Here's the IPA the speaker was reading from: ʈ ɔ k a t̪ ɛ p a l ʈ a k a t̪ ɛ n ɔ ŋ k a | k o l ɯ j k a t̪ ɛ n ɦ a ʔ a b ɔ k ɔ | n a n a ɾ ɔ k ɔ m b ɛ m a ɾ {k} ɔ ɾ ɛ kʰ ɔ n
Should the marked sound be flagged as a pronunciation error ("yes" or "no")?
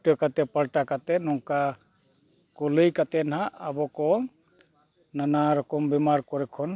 no